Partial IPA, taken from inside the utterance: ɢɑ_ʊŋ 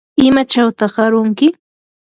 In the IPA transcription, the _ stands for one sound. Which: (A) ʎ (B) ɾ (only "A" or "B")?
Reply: B